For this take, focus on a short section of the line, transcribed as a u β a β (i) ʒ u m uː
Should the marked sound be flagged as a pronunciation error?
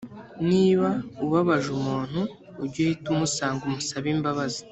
yes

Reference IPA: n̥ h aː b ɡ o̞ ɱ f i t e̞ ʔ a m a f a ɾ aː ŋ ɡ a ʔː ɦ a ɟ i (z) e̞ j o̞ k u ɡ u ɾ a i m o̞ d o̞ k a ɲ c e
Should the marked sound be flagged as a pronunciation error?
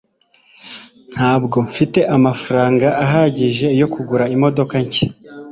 yes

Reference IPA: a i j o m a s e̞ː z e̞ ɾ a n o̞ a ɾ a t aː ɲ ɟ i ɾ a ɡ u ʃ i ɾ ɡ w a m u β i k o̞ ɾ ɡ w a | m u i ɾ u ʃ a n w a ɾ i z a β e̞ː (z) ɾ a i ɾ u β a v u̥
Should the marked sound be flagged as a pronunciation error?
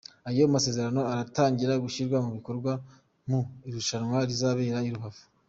yes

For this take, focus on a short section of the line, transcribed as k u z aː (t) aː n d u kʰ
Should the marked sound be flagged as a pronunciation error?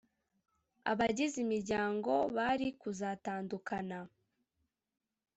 no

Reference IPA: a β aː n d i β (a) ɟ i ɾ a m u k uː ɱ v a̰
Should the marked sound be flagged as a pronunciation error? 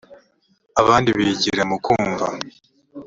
yes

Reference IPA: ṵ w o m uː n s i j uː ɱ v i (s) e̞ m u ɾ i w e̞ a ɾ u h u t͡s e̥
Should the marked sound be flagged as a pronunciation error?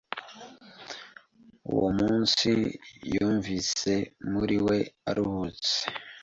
no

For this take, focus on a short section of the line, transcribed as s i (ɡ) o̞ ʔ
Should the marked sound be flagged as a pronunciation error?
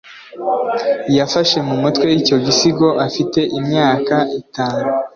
no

